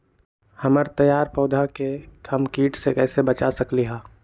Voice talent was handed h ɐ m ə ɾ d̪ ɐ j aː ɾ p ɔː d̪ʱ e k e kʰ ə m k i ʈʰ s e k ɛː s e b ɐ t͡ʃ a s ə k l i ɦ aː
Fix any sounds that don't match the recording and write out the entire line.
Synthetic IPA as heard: h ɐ m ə ɾ t̪ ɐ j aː ɾ p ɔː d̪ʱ a k e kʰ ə m k iː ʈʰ s e k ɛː s e b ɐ t͡ʃ a s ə k l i ɦ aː